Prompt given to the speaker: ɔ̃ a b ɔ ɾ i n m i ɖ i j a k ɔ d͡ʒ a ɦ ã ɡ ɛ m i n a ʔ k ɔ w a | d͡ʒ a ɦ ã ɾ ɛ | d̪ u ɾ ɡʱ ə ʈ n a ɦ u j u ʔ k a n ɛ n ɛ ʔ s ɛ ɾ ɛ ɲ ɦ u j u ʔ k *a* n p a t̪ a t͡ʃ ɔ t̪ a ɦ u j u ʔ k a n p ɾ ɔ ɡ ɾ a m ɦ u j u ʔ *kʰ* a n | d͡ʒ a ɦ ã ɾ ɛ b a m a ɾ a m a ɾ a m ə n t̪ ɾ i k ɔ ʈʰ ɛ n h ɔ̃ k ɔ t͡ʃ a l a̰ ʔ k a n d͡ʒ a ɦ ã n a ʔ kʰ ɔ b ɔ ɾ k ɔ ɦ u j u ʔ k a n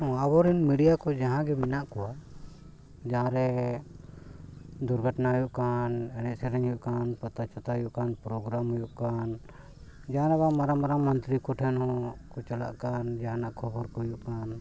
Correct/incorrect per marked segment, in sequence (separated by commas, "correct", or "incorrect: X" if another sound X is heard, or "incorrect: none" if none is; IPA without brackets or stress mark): correct, incorrect: k